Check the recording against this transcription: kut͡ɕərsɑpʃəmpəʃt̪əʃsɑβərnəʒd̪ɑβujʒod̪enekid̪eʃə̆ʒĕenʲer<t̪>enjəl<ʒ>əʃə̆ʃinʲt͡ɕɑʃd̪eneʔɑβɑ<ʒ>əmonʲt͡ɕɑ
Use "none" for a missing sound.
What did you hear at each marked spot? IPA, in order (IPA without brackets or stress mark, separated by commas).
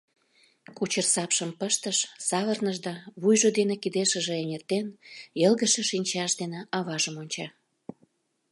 t̪, ɣ, ʒ